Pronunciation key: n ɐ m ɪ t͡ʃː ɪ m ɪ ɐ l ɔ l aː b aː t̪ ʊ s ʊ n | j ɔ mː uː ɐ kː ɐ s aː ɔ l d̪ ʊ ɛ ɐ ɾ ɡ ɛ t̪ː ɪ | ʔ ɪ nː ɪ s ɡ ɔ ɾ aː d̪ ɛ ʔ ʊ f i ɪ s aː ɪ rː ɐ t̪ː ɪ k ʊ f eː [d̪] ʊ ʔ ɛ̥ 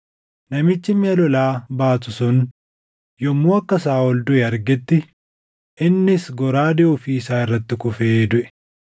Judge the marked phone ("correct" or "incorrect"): correct